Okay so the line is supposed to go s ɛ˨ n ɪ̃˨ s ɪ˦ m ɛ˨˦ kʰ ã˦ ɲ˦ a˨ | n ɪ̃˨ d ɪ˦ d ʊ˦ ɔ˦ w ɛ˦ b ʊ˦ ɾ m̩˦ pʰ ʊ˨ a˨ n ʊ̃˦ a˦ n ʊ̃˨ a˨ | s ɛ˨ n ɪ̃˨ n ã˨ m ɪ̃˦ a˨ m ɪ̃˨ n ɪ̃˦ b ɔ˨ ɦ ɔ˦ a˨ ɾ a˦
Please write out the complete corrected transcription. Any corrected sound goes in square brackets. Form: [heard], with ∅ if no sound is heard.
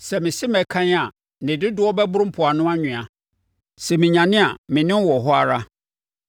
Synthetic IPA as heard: s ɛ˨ [m] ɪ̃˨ s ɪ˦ m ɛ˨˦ kʰ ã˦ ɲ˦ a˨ | n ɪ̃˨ d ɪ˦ d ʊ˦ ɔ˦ [b] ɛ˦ b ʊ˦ ɾ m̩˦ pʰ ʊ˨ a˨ n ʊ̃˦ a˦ [ɲ] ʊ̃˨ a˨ | s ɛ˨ [m] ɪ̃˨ [ɲ] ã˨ [n] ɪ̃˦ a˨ m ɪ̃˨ n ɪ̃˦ [w] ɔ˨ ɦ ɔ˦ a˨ ɾ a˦